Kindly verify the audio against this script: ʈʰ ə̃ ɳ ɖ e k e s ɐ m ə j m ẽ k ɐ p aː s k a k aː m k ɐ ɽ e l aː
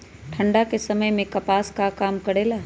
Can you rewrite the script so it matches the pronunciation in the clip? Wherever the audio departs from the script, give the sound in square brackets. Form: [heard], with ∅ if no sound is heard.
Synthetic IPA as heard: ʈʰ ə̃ ɳ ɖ [a] k e s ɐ m ə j m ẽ k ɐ p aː s k a k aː m k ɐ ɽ e l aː